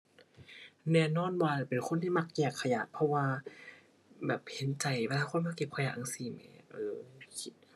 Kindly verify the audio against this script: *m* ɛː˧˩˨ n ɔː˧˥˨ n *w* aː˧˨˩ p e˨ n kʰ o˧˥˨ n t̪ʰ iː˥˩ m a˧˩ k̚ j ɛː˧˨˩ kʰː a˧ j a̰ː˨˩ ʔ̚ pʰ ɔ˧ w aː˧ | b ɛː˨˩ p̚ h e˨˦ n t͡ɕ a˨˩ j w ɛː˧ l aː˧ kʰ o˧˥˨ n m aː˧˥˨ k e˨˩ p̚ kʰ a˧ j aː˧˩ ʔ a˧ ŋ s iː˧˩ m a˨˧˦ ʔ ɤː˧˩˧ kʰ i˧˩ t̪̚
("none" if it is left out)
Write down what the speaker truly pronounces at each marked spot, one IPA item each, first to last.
n, w

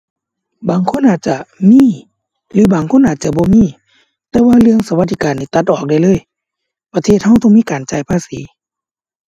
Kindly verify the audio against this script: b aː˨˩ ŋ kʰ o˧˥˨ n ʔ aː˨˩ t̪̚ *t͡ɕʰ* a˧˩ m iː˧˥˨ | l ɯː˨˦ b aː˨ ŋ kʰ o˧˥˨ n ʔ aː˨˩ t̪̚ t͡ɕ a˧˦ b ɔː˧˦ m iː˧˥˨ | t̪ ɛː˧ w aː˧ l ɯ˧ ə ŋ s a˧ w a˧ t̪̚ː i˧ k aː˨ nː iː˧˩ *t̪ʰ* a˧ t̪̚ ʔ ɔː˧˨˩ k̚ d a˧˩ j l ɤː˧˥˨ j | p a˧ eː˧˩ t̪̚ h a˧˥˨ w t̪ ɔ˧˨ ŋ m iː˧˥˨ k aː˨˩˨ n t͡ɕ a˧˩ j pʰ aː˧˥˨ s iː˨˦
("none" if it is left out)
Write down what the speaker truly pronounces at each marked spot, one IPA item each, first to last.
t͡ɕ, t̪

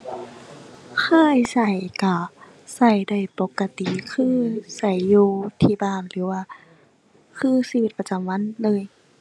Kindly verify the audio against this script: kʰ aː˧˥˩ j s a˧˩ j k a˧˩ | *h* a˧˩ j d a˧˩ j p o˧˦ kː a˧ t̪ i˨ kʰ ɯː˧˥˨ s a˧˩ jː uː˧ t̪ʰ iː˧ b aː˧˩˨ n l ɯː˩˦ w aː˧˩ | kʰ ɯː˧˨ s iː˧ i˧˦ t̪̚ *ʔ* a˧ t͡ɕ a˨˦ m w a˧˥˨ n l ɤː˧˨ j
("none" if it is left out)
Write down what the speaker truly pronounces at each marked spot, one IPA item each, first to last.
s, p

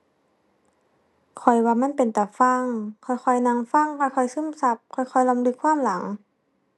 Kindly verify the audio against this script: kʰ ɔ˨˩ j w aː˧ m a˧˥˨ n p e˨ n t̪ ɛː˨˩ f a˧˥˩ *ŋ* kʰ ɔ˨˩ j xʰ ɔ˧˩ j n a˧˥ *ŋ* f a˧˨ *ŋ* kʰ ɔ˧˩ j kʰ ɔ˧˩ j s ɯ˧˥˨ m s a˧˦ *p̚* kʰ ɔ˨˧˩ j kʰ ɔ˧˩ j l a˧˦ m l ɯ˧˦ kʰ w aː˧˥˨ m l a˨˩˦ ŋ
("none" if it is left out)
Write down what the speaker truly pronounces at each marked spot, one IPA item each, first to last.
ŋ, ŋ, ŋ, p̚

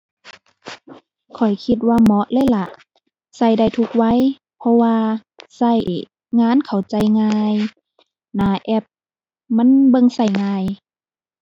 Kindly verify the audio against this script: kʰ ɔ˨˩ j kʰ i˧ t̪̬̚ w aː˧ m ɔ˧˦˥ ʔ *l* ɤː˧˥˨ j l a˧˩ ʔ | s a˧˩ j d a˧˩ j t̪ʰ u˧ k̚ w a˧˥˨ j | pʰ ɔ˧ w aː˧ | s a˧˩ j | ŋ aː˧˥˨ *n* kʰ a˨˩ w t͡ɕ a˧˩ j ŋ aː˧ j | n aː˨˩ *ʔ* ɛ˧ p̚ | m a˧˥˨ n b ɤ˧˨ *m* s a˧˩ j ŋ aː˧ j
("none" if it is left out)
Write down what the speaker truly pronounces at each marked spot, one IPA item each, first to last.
l, n, ʔ, ŋ

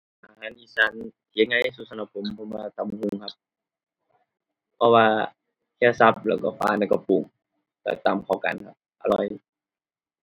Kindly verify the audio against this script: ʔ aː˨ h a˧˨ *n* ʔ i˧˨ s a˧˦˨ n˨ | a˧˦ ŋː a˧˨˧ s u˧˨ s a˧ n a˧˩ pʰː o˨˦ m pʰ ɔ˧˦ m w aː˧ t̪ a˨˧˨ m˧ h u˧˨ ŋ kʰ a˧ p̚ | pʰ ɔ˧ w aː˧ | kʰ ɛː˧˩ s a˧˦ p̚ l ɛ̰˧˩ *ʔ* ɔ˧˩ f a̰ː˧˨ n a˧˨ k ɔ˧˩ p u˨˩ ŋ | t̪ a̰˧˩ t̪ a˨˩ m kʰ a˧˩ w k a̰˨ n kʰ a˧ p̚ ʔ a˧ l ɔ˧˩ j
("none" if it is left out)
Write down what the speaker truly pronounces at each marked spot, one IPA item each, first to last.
n, k

